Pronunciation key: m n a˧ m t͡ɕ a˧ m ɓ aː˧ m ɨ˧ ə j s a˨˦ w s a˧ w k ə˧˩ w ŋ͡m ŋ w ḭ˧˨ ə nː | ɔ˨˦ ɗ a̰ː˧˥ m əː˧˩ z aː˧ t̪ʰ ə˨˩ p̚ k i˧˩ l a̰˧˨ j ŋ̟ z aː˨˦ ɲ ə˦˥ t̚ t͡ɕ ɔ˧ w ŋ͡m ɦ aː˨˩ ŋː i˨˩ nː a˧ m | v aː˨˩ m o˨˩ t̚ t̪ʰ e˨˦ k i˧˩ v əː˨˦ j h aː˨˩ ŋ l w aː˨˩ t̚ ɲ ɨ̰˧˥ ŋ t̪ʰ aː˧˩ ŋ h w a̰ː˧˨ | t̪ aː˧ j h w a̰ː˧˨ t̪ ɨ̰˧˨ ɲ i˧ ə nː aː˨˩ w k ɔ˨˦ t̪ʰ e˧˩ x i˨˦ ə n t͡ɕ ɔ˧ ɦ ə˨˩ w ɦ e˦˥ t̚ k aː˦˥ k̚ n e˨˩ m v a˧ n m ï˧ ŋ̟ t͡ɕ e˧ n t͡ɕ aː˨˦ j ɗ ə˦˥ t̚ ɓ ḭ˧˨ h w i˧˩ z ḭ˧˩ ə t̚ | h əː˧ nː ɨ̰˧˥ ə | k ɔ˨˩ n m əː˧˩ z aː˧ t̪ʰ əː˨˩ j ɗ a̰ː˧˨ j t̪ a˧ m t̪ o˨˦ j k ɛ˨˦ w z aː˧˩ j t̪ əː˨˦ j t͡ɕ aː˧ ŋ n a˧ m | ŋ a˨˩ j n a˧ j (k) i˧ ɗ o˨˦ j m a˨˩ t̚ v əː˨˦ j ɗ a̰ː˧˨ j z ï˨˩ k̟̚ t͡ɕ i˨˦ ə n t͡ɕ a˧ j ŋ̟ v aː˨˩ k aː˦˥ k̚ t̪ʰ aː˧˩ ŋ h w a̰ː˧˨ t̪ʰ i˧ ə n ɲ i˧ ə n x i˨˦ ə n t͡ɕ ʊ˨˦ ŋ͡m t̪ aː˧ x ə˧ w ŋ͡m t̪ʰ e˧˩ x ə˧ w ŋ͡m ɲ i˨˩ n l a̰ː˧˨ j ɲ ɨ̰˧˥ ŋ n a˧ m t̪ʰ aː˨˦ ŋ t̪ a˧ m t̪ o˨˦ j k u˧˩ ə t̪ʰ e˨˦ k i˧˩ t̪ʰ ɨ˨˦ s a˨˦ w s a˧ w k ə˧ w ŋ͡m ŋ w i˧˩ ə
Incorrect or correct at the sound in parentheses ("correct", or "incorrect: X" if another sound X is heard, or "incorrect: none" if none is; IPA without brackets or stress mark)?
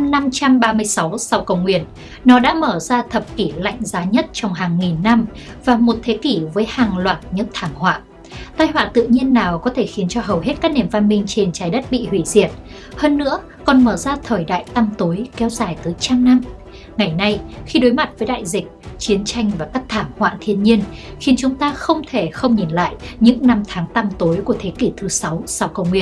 incorrect: x